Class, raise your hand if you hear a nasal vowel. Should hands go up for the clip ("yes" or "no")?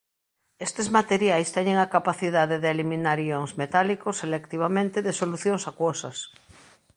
yes